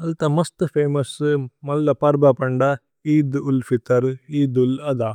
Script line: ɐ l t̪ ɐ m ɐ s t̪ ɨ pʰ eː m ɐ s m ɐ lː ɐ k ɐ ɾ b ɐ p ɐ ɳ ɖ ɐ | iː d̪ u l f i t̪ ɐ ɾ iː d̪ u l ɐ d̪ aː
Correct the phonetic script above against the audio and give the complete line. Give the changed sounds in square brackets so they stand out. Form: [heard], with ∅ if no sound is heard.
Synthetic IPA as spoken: ɐ l t̪ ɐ m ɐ s t̪ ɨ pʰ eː m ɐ s m ɐ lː ɐ [p] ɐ ɾ b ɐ p ɐ ɳ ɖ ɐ | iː d̪ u l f i t̪ ɐ ɾ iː d̪ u l ɐ d̪ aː